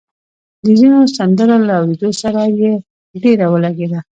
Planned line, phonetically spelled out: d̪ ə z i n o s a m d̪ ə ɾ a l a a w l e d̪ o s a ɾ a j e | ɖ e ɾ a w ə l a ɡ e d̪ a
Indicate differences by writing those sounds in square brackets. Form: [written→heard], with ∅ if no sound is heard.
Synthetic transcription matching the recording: d̪ ə z i n o s a [m→n] d̪ ə ɾ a l a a w [l→ɾ] e d̪ o s a ɾ a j e | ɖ e ɾ a w ə l a ɡ e d̪ a